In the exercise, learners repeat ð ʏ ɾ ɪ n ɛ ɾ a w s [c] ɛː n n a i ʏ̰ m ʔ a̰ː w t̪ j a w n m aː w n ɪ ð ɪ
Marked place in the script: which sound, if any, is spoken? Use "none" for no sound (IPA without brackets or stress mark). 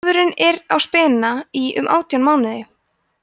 p